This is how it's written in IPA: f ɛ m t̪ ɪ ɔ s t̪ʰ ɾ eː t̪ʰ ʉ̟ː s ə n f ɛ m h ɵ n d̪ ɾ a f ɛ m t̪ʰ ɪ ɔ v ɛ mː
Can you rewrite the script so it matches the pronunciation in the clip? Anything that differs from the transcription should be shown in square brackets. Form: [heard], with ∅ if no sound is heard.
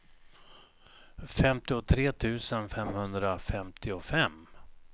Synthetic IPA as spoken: f ɛ m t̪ ɪ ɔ [∅] t̪ʰ ɾ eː t̪ʰ ʉ̟ː s ə n f ɛ m h ɵ n d̪ ɾ a f ɛ m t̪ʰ ɪ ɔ [f] ɛ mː

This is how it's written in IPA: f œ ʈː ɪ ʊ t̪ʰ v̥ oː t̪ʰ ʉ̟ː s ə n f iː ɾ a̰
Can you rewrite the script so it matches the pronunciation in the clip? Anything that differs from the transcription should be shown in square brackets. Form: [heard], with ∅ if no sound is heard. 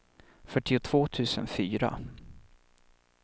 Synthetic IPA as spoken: f œ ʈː ɪ ʊ t̪ʰ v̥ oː t̪ʰ ʉ̟ː s ə n f [yː] ɾ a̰

